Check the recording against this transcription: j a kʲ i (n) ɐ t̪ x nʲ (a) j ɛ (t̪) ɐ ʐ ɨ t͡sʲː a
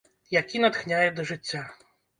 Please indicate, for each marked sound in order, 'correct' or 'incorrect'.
correct, correct, incorrect: d̪

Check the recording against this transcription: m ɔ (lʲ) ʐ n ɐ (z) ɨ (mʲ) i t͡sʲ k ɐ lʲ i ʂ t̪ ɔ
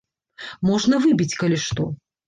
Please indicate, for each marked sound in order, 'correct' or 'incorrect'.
incorrect: none, incorrect: v, incorrect: bʲ

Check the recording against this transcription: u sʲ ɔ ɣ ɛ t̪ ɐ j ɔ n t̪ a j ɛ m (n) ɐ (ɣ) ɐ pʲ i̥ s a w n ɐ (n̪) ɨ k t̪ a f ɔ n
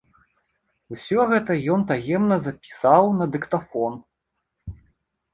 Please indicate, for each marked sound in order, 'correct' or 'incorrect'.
correct, incorrect: z, incorrect: d̪

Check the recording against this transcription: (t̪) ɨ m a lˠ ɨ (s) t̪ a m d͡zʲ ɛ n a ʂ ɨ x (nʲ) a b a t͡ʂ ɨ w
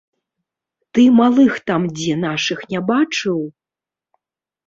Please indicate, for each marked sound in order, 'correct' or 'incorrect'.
correct, incorrect: x, correct

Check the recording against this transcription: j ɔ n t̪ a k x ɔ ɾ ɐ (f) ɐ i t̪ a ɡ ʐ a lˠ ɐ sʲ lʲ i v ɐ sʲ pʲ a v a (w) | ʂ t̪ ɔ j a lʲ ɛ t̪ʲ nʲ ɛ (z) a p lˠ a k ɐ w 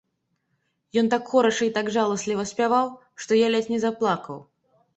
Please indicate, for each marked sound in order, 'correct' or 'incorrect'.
incorrect: ʂ, correct, correct

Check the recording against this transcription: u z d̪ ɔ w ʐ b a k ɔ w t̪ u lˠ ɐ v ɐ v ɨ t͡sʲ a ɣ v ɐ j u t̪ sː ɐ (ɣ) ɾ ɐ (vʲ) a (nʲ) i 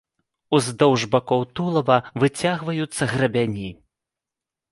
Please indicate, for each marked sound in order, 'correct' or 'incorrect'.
correct, incorrect: bʲ, correct

